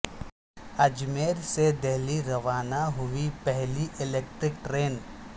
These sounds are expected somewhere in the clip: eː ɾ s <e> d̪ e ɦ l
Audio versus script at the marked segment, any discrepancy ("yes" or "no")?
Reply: no